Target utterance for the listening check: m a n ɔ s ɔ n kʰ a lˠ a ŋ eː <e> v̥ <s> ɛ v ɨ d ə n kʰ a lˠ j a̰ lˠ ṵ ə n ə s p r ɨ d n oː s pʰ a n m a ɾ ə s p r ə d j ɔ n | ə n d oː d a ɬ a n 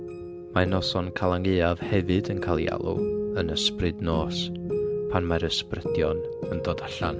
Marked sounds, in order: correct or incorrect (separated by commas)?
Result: incorrect, incorrect